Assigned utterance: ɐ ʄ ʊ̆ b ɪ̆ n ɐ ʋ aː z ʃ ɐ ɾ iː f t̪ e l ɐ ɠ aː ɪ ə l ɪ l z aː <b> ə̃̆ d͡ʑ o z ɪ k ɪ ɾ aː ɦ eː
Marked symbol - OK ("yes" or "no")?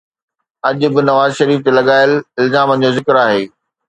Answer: no